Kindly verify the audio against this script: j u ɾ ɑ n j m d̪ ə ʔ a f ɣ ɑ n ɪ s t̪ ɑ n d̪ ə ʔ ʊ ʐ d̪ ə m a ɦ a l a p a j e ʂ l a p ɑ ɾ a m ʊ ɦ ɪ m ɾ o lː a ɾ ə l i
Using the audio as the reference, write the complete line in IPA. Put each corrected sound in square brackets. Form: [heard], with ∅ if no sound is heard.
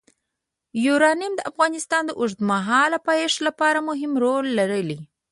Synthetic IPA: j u ɾ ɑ n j m d̪ ə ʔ a f ɣ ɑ n ɪ s t̪ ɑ n d̪ ə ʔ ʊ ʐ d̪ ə m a ɦ [ɑ] l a p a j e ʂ l a p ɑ ɾ a m ʊ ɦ ɪ m ɾ o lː a ɾ ə l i